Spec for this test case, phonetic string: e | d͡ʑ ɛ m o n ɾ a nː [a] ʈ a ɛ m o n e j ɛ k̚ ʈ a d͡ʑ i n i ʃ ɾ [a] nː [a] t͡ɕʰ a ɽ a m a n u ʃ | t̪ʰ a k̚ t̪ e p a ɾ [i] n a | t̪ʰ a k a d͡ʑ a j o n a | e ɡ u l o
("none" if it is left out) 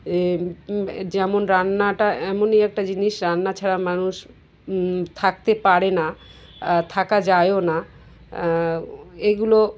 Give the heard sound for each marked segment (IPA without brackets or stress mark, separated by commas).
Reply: a, a, a, e